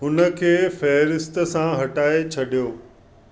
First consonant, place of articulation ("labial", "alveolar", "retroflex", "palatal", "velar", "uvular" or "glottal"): glottal